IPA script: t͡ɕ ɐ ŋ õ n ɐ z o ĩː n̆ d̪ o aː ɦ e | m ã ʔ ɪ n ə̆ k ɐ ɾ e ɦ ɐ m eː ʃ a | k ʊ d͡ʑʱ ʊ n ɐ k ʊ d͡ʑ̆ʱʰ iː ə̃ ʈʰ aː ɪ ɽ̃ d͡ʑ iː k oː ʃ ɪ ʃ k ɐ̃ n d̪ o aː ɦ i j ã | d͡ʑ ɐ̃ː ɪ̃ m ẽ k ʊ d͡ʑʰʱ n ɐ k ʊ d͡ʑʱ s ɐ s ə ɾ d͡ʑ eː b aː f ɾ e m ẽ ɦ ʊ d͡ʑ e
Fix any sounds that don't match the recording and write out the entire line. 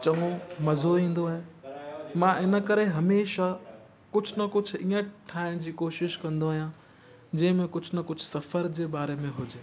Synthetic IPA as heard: t͡ɕ ɐ ŋ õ m ɐ z o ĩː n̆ d̪ o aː ɦ e | m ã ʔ ɪ n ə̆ k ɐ ɾ e ɦ ɐ m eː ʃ a | k ʊ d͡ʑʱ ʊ n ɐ k ʊ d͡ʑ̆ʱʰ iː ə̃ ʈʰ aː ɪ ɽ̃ d͡ʑ iː k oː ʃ ɪ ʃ k ɐ̃ n d̪ o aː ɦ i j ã | d͡ʑ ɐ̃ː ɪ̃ m ẽ k ʊ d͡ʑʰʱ n ɐ k ʊ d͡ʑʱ s ɐ f ə ɾ d͡ʑ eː b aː ɾ e m ẽ ɦ ʊ d͡ʑ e